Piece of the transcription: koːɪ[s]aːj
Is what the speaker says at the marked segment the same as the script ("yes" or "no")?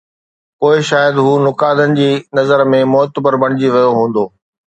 no